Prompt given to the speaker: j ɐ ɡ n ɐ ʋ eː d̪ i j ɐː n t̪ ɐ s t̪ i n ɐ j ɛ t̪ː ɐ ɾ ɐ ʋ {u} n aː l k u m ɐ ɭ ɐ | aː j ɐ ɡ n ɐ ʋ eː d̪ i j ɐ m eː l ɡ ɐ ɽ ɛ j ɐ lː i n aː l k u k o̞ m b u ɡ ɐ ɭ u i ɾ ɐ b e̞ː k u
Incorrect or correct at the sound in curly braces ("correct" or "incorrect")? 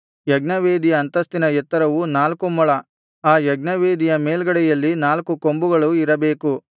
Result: correct